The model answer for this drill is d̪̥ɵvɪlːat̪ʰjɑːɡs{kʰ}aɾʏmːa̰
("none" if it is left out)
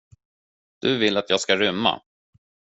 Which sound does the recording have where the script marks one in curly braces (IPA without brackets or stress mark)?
k